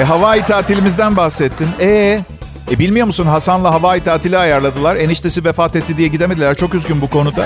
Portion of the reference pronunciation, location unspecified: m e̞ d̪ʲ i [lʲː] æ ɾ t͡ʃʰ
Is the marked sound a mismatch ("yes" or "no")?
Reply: yes